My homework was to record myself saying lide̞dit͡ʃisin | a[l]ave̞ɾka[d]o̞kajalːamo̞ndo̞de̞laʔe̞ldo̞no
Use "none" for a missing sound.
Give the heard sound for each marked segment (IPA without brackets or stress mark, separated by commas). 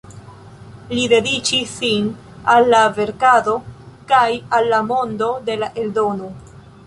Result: lː, d